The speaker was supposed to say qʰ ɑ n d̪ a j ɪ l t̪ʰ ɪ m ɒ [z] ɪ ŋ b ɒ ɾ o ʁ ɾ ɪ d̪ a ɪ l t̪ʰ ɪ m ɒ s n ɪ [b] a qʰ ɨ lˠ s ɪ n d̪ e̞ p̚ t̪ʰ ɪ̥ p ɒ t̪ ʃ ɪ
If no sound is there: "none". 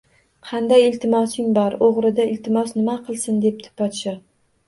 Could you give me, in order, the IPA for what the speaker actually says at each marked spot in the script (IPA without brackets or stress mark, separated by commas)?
s, m